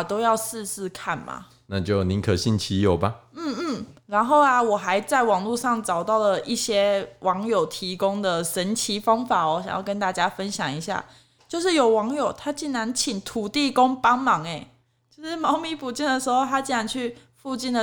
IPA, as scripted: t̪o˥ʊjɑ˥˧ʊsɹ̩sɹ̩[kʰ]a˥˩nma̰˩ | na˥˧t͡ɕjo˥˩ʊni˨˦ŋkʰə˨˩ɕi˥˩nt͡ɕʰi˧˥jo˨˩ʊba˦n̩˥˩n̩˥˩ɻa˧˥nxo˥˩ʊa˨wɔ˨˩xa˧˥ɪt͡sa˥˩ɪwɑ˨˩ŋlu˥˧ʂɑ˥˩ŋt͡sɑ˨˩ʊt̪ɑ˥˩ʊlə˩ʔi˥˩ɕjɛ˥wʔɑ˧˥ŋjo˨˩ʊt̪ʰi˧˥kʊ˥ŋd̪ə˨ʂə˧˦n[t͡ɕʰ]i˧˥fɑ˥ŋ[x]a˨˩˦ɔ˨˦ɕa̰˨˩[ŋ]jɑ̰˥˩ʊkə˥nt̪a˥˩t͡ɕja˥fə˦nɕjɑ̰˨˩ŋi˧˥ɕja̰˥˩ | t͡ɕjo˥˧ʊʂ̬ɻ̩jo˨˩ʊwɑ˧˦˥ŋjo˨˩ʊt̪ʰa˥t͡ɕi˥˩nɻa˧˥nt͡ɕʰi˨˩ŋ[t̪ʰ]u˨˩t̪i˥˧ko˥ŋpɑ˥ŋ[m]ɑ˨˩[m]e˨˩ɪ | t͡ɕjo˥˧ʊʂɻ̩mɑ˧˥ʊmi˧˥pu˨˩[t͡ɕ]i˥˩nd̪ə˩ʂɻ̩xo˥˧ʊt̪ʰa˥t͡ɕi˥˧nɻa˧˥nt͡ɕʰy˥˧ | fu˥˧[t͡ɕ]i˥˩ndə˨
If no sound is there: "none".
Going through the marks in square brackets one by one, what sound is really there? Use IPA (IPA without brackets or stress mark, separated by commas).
kʰ, t͡ɕʰ, f, ŋ, t̪ʰ, m, ŋ, t͡ɕ, t͡ɕ